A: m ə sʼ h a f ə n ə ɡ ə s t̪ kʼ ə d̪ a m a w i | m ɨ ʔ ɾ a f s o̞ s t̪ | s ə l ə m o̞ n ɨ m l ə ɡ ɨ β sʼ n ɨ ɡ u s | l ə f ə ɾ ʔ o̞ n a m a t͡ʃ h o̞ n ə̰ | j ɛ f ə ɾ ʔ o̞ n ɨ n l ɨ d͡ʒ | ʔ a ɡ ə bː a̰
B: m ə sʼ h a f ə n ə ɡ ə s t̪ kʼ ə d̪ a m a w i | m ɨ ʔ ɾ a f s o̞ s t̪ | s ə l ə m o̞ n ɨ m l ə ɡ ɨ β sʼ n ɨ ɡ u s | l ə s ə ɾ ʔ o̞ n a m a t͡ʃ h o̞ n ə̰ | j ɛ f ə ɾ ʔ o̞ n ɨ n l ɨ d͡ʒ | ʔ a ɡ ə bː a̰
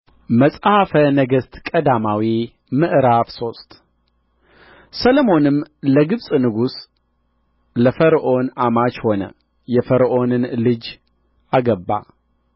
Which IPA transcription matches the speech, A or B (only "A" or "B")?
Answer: A